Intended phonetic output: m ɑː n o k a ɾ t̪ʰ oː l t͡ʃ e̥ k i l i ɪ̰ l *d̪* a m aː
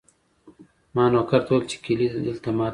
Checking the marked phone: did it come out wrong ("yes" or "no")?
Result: yes